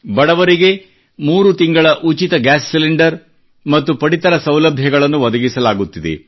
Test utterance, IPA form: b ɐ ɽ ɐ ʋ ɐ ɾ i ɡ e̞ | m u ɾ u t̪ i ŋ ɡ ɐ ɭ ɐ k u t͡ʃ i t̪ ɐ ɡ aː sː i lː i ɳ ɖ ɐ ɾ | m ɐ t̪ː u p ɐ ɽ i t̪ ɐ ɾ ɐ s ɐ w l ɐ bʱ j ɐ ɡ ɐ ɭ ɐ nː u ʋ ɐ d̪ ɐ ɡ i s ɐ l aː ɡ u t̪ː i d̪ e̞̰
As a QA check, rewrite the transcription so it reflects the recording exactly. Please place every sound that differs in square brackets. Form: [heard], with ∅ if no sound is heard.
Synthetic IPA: b ɐ ɽ ɐ ʋ ɐ ɾ i ɡ e̞ | m [uː] ɾ u t̪ i ŋ ɡ ɐ ɭ ɐ [ʔ] u t͡ʃ i t̪ ɐ ɡ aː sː i [l] i ɳ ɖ ɐ ɾ | m ɐ t̪ː u p ɐ ɽ i t̪ ɐ ɾ ɐ s ɐ w l ɐ bʱ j ɐ ɡ ɐ ɭ ɐ nː u ʋ ɐ d̪ ɐ ɡ i s ɐ l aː ɡ u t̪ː i d̪ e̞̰